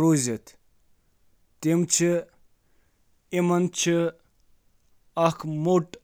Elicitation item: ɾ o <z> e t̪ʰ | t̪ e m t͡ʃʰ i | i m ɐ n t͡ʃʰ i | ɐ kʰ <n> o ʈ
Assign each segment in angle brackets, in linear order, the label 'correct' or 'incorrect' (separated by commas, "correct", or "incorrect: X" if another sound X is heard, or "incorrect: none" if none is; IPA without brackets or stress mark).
correct, incorrect: m